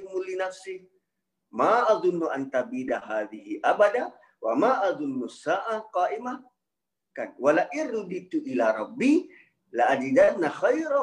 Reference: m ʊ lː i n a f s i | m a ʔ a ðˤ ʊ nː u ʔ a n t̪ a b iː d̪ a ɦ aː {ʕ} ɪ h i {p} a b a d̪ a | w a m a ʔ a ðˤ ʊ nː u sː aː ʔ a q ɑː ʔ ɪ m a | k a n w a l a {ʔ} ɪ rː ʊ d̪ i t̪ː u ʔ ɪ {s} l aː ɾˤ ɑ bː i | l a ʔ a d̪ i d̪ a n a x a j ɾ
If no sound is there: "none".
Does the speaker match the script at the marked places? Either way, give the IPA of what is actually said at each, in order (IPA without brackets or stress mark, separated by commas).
ð, ʔ, ʔ, none